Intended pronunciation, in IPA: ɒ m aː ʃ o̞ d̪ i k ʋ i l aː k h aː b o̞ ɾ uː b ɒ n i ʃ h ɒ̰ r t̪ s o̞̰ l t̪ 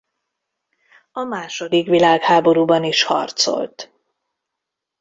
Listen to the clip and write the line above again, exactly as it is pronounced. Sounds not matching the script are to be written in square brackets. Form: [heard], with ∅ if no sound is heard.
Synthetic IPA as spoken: ɒ m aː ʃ o̞ d̪ i k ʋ i l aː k h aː b o̞ ɾ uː b ɒ n i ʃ h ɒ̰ r t̪ s o̞̰ l t̪